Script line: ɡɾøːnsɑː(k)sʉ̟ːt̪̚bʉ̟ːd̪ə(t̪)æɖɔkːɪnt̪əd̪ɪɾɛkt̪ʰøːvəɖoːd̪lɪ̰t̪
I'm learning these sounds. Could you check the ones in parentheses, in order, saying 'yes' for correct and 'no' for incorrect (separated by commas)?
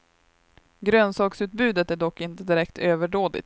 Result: yes, yes